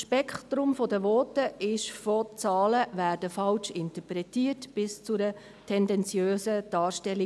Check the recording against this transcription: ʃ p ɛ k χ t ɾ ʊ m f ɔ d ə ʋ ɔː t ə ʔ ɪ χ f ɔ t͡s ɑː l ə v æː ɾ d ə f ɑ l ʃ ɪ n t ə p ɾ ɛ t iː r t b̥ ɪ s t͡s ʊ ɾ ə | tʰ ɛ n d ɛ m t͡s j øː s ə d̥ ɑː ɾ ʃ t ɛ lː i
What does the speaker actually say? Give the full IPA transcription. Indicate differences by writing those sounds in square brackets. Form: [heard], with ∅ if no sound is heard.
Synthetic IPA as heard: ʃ p ɛ k χ t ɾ ʊ m f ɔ d ə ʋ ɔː t ə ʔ ɪ [ʃ] f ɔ t͡s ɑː l ə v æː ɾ d ə f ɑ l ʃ ɪ n t ə p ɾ ɛ t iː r t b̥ ɪ s t͡s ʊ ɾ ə | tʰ ɛ n d ɛ [n] t͡s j øː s ə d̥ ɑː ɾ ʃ t ɛ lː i

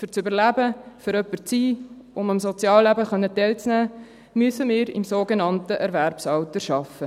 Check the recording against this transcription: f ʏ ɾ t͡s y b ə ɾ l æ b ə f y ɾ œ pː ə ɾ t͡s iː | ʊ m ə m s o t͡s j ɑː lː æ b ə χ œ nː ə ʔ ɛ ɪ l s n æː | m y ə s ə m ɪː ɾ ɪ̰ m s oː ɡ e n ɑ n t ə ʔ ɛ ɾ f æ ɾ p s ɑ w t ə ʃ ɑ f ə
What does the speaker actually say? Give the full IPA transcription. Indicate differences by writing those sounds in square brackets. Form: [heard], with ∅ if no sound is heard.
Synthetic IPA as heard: f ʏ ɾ t͡s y b ə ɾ l æ b ə f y ɾ œ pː ə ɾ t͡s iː | ʊ m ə m s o t͡s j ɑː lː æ b ə χ œ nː ə [t] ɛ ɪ l [t͡s] n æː | m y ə s ə m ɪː ɾ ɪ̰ m s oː ɡ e n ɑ n t ə ʔ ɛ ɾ [v] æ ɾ p s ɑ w t ə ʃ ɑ f ə

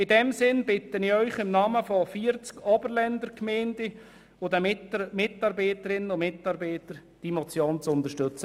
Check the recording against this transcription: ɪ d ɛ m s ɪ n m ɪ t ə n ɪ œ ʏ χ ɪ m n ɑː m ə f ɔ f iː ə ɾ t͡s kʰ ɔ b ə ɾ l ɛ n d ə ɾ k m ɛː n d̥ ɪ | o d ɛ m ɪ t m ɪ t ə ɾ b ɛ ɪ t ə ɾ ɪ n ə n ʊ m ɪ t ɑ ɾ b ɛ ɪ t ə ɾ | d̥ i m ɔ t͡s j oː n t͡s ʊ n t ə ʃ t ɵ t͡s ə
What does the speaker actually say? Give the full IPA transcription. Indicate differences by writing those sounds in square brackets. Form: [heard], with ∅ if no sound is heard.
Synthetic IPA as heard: ɪ d ɛ m s ɪ n [b] ɪ t ə n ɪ œ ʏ χ ɪ m n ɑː m ə f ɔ f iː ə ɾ t͡s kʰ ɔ b ə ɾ l ɛ n d ə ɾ k m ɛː n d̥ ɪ | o d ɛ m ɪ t m ɪ t [ɑ] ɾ b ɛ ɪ t ə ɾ ɪ n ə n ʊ m ɪ t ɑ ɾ b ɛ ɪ t ə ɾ | d̥ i m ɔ t͡s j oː n t͡s ʊ n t ə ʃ t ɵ t͡s ə

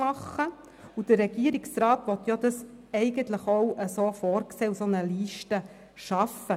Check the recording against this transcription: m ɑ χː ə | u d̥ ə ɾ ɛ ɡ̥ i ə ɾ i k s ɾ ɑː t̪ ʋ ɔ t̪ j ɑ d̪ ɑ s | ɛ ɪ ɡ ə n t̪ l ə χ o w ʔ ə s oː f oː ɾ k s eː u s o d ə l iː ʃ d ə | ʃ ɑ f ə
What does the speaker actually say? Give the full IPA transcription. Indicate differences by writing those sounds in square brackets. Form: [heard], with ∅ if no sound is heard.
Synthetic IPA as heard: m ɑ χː ə | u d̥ ə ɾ ɛ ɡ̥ i ə ɾ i k s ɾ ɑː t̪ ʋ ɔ t̪ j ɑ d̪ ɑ s | ɛ ɪ ɡ ə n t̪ l ə χ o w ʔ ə s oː f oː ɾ k s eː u s o [n] ə l iː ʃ [t] ə | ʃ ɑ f ə

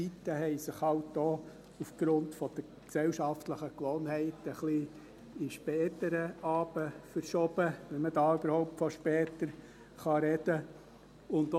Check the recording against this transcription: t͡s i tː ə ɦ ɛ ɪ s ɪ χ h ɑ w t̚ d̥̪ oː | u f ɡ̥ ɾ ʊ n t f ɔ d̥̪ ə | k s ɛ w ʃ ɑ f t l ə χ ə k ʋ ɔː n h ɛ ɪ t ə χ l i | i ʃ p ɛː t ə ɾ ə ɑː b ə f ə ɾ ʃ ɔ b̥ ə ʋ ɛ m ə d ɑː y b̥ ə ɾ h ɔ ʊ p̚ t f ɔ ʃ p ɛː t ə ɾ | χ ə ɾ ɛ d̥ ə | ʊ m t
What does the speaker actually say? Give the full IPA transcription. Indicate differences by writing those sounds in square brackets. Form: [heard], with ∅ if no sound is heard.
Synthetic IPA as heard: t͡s i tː ə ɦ ɛ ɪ s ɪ χ h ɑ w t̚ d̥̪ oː | u f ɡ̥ ɾ ʊ n t f ɔ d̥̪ ə | k s ɛ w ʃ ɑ f t l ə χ ə k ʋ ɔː n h ɛ ɪ t ə χ l i | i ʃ p ɛː t ə ɾ ə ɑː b ə f ə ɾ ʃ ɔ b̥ ə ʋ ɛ m ə d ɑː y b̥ ə ɾ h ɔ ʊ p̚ t f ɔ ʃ p ɛː t ə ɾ | χ [ɑ] ɾ ɛ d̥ ə | ʊ [n] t

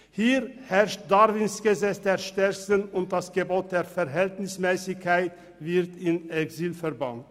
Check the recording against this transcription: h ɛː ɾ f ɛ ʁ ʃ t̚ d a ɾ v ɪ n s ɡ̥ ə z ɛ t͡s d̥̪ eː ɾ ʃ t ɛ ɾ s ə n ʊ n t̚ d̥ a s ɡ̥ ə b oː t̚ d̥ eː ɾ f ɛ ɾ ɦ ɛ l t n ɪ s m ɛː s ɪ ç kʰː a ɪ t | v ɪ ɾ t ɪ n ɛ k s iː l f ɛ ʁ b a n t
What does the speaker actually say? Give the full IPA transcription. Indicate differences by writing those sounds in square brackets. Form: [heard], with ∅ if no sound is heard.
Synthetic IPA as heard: h [iː] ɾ [h] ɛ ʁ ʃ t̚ d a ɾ v ɪ n s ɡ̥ ə z ɛ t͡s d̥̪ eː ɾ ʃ t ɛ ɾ s ə n ʊ n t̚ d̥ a s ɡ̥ ə b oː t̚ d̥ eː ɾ f ɛ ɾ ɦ ɛ l t n ɪ s m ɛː s ɪ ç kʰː a ɪ t | v ɪ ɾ t ɪ n ɛ k s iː l f ɛ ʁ b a n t

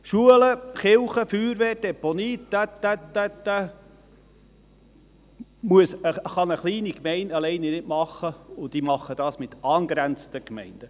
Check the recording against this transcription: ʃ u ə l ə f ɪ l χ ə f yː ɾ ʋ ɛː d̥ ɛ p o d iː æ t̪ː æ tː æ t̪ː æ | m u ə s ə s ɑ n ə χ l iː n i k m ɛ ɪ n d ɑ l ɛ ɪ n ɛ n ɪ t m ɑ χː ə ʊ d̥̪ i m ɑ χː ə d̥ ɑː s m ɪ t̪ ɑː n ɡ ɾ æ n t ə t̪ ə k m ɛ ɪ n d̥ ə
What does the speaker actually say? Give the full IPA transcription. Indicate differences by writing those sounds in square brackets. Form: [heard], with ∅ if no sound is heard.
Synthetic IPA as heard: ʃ u ə l ə [χ] ɪ l χ ə f yː ɾ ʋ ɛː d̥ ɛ p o [n] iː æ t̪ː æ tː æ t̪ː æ | m u ə s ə [χ] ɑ n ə χ l iː n i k m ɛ ɪ n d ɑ l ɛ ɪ n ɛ n ɪ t m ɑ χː ə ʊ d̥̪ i m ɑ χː ə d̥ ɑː s m ɪ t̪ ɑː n ɡ ɾ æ n [t͡s] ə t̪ ə k m ɛ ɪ n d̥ ə

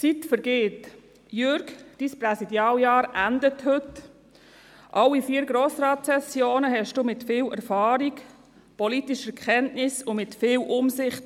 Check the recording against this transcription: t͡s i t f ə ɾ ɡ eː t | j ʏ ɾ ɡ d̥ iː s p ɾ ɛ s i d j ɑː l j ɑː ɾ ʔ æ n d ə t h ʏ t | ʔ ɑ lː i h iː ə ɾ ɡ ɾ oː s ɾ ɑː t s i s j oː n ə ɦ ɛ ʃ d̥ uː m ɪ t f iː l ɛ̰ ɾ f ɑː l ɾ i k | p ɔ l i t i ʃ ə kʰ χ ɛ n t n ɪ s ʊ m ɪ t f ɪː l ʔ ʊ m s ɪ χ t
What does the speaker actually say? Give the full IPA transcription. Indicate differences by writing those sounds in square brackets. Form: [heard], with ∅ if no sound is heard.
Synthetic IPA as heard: t͡s i t f ə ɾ ɡ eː t | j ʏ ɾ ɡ d̥ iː s p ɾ ɛ s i d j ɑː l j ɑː ɾ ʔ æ n d ə t h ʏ t | ʔ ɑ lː i [f] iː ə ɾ ɡ ɾ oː s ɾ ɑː t s [ɛ] s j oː n ə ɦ ɛ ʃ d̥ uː m ɪ t f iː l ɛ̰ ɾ f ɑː [∅] ɾ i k | p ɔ l i t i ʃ ə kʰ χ ɛ n t n ɪ s ʊ m ɪ t f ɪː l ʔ ʊ m s ɪ χ t

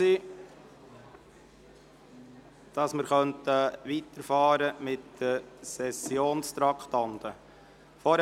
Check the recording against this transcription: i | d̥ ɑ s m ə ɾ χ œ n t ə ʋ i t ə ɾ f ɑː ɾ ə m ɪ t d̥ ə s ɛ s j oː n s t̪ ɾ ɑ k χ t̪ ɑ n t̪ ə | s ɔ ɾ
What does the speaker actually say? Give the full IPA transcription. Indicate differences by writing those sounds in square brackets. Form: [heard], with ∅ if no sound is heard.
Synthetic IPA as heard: i | d̥ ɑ s m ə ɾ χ œ n t ə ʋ i t ə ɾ f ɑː ɾ ə m ɪ t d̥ ə s ɛ s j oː n s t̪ ɾ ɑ k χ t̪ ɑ n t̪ ə | [f] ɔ ɾ

